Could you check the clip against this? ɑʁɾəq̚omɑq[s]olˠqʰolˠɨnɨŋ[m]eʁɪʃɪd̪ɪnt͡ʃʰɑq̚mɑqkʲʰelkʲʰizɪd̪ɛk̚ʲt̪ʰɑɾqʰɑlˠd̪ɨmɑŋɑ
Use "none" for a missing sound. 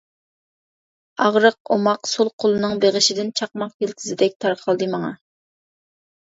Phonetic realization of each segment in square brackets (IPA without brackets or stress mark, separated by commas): s, b